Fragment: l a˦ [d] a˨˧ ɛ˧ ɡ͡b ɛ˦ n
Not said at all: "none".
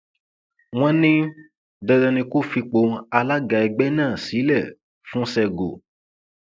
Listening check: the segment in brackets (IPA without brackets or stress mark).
ɡ